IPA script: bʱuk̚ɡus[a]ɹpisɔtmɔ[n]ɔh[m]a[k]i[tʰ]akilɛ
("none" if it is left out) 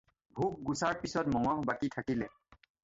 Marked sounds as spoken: a, ŋ, b, k, tʰ

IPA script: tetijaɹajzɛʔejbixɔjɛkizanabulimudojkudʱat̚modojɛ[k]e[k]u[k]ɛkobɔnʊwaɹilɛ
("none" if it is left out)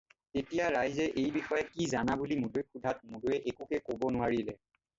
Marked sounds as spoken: ʔ, k, k

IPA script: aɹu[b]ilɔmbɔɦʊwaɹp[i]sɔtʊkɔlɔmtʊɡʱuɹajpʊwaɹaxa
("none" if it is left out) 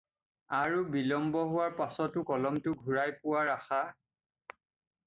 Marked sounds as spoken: b, a

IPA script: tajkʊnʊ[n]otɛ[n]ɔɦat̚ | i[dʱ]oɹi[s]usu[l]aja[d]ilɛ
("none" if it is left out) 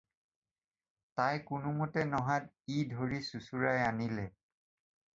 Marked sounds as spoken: m, n, dʱ, s, ɹ, n

